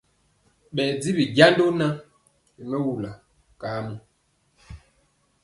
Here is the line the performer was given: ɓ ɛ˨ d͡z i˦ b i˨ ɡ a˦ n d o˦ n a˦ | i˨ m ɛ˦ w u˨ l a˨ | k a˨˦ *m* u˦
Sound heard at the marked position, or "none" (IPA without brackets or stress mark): m